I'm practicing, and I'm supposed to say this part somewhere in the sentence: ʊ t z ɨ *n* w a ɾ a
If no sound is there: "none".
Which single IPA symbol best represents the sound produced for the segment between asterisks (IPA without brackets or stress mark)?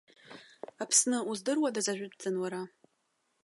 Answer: n